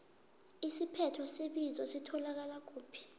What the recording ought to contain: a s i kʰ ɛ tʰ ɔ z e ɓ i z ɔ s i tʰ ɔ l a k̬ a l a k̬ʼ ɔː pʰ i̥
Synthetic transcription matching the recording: i s i pʰ ɛ tʰ ɔ s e ɓ i z ɔ s i tʰ ɔ l a k̬ a l a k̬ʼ uː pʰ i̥